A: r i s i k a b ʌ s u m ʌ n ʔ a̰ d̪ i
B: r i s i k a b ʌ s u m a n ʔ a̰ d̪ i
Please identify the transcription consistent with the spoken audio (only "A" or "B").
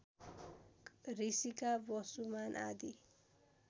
B